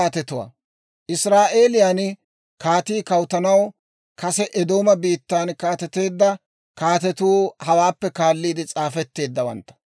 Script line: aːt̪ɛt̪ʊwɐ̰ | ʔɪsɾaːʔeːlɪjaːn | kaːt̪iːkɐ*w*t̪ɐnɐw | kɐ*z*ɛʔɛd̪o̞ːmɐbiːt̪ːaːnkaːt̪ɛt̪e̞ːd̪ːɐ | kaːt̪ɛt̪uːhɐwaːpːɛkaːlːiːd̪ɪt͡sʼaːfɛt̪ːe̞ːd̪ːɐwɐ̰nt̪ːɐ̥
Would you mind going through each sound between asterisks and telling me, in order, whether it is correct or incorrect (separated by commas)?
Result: correct, incorrect